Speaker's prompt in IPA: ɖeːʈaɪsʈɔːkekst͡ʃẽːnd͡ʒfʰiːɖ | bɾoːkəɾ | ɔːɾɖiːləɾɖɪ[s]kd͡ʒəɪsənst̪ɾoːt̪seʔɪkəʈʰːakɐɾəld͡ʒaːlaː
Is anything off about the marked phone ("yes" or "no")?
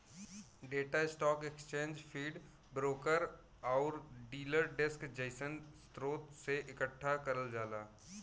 no